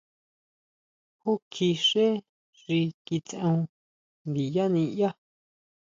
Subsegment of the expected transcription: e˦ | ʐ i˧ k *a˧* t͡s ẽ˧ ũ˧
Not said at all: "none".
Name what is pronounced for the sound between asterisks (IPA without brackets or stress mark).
i˧